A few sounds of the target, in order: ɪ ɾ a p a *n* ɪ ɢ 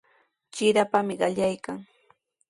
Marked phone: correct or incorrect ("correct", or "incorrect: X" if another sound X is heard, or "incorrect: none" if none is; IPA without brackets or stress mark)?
incorrect: m